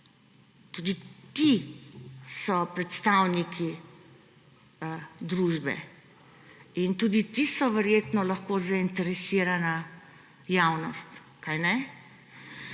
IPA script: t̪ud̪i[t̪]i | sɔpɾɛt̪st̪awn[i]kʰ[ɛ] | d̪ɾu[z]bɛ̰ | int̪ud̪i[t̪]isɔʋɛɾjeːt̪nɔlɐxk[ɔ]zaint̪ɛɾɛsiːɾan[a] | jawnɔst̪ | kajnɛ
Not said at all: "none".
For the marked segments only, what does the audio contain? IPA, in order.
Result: t̪, i, i, ʒ, t̪, o, a

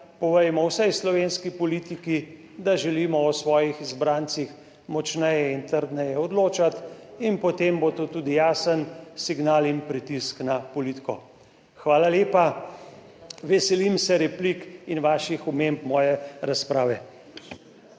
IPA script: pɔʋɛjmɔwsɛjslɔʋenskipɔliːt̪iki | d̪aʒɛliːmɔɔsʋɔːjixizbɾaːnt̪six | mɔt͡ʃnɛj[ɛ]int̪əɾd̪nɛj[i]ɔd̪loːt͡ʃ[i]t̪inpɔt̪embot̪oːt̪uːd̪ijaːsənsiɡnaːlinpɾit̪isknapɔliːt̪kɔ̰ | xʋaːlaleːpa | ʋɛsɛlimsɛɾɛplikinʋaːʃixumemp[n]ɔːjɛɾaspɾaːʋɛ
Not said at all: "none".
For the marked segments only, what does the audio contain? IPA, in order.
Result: ɛ, ɛ, a, m

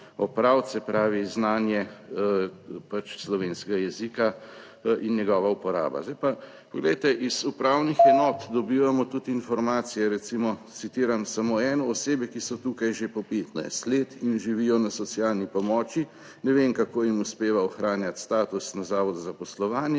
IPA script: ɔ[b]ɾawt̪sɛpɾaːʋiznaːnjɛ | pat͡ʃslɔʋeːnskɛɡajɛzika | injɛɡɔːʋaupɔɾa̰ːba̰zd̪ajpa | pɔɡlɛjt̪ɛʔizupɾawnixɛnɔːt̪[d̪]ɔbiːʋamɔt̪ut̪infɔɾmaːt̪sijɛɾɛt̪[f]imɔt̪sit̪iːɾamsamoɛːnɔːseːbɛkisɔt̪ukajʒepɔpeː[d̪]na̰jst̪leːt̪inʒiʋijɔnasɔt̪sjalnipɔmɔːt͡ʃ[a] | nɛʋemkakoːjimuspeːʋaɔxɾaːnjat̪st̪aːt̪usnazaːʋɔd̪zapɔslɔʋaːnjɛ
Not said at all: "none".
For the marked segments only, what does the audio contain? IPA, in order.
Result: p, d̪, s, t̪, i

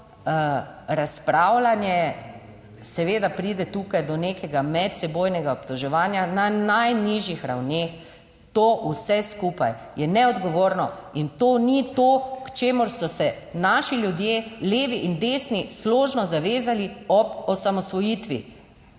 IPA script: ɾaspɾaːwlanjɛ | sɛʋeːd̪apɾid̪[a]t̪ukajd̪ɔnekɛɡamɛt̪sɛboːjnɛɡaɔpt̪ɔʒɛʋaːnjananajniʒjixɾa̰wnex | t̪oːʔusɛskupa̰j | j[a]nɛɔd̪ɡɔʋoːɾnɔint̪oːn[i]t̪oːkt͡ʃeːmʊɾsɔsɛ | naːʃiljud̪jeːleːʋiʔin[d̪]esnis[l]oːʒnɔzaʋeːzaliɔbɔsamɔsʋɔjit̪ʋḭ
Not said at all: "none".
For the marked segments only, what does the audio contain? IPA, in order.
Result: ɛ, ɛ, i, d̪, l

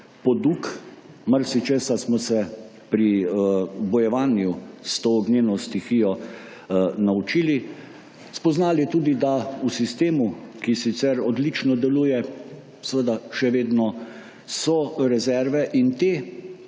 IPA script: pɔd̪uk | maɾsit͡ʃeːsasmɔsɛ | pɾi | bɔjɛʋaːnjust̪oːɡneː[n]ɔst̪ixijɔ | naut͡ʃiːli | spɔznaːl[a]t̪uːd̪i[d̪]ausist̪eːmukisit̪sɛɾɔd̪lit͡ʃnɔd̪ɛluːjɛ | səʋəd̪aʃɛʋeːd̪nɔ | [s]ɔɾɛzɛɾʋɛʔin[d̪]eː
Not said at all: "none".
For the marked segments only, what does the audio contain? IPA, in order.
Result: n, i, d̪, s, t̪

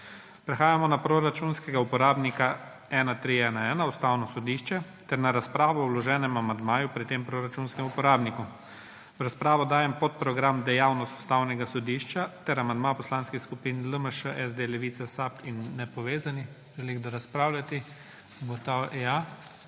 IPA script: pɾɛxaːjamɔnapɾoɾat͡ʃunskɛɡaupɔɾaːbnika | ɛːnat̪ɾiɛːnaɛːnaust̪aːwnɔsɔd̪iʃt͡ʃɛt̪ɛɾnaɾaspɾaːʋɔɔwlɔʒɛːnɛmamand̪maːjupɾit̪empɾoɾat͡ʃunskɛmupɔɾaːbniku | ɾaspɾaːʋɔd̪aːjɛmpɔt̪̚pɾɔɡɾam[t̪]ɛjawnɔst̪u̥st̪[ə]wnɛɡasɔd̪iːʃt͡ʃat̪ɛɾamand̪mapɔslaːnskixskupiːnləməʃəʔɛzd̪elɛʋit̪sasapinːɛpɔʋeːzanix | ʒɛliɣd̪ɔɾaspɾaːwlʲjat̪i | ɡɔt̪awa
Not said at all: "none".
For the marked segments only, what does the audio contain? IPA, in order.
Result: d̪, a

